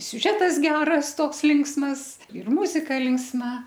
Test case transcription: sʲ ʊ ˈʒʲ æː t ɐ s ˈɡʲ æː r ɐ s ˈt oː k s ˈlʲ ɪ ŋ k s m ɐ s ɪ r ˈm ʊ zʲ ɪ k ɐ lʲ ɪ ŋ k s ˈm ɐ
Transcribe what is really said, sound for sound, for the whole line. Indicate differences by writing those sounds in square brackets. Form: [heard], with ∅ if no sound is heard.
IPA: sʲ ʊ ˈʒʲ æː t ɐ s ˈɡʲ æː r ɐ s ˈt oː k s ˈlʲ ɪ ŋ k s m ɐ s ɪ r ˈm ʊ zʲ ɪ k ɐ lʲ ɪ ŋ k s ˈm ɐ